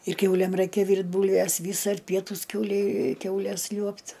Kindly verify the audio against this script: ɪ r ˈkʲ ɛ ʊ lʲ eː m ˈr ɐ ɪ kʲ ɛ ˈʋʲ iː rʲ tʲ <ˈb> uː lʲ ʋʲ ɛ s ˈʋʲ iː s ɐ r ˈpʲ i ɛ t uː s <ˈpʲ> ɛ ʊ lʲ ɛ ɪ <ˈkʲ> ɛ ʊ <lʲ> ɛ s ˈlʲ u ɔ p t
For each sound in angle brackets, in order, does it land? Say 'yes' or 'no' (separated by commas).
yes, no, yes, yes